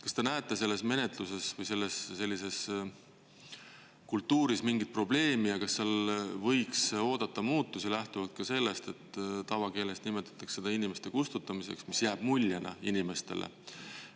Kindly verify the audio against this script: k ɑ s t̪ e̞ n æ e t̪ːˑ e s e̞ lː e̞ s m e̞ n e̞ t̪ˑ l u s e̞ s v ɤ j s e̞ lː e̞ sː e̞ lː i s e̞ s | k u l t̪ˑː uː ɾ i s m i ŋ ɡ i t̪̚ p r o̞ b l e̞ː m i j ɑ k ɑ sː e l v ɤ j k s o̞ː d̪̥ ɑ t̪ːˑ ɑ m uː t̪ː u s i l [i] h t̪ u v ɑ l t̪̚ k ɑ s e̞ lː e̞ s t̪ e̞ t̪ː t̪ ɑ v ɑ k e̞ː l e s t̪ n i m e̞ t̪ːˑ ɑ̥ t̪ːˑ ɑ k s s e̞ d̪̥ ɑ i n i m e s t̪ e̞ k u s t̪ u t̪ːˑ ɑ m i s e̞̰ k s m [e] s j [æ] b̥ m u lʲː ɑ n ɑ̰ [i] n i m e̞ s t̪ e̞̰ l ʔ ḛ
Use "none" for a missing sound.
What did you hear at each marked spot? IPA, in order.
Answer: æ, i, æː, i

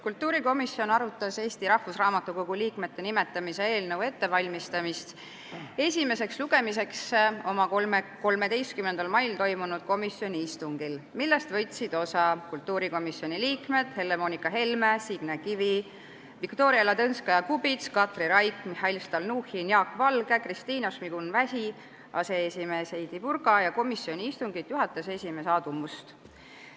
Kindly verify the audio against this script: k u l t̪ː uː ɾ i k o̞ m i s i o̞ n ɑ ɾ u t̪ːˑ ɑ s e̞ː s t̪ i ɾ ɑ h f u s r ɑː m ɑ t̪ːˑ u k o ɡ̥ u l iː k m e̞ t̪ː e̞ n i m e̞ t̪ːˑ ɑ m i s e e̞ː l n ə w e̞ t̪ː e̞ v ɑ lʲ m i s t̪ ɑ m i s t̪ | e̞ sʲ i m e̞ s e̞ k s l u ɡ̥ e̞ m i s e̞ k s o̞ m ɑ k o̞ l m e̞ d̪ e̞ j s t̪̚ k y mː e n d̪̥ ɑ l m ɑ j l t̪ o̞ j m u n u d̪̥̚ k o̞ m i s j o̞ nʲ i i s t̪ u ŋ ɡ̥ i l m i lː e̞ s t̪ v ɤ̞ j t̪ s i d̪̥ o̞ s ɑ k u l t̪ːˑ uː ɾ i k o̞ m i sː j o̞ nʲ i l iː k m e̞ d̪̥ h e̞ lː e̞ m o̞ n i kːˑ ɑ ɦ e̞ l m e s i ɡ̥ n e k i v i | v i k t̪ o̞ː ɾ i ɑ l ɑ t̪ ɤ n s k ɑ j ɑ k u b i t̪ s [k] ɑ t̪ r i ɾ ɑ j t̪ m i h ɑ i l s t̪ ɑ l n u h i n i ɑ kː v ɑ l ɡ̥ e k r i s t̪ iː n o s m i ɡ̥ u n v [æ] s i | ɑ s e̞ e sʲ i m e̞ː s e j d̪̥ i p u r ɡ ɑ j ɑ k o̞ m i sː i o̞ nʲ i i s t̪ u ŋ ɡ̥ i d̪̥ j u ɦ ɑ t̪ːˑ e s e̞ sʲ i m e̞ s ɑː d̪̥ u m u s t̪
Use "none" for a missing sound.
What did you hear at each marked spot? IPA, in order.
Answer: k, æ

